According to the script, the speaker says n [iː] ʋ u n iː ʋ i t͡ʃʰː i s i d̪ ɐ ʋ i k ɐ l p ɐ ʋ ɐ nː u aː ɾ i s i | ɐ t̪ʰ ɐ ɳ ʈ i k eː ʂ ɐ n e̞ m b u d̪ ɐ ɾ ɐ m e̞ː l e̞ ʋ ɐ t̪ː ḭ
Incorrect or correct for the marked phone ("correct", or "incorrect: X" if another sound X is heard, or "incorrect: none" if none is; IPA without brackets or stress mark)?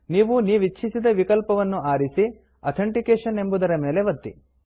correct